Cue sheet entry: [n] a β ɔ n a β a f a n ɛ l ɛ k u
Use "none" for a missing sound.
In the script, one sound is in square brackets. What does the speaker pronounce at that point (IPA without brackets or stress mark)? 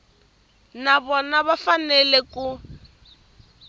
n